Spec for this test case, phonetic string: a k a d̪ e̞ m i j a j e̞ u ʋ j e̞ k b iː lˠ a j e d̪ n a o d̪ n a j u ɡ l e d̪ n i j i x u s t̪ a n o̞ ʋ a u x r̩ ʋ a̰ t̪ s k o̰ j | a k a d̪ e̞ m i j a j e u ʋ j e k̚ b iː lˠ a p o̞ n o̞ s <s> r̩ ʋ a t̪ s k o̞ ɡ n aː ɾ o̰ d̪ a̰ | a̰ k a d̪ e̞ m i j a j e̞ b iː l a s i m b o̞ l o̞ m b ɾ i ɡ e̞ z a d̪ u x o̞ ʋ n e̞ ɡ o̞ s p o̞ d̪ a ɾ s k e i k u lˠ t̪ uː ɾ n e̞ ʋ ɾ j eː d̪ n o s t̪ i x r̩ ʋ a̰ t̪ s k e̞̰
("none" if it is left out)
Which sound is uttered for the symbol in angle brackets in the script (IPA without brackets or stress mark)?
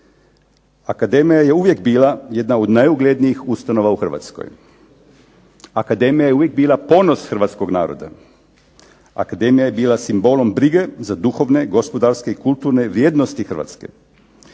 x